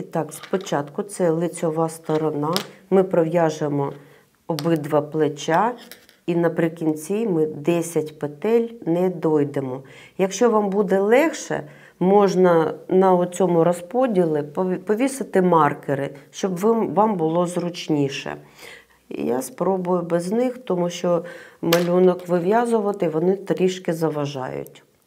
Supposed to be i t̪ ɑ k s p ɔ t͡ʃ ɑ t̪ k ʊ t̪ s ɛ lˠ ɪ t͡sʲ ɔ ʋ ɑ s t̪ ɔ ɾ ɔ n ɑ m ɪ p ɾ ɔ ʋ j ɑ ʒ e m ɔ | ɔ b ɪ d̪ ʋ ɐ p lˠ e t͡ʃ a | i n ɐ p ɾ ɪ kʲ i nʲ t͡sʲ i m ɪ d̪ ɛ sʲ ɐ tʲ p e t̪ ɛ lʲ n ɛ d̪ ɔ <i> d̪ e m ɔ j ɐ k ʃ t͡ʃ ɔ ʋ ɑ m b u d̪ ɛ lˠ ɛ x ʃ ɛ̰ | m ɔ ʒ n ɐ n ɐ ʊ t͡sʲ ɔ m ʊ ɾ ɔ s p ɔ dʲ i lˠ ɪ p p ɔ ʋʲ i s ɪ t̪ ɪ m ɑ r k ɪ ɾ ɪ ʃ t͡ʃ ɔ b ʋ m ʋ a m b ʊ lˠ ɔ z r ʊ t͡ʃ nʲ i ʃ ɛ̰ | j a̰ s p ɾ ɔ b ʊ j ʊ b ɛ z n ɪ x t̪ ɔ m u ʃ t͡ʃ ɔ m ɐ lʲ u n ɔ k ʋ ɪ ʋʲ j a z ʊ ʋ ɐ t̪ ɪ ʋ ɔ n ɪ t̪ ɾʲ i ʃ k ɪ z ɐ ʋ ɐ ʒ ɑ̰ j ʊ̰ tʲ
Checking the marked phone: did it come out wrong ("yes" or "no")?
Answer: yes